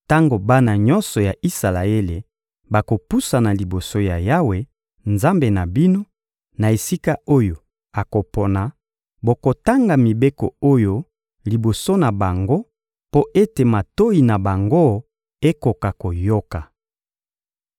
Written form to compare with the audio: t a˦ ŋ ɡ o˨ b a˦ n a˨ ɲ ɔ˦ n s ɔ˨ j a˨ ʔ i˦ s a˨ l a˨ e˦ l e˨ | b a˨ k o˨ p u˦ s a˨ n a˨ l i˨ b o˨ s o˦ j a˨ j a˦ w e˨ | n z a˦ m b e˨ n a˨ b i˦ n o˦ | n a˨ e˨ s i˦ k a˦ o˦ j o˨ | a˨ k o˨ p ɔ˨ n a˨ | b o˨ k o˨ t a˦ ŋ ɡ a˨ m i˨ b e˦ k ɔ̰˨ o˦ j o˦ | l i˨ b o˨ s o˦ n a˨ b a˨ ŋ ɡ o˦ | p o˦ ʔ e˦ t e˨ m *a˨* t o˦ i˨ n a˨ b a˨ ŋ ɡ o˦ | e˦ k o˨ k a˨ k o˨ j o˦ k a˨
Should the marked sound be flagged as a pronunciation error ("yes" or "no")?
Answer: no